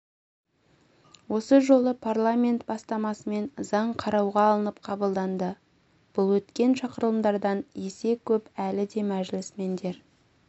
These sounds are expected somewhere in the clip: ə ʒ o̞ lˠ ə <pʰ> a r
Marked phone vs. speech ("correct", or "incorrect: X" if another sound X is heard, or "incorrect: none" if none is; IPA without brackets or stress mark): correct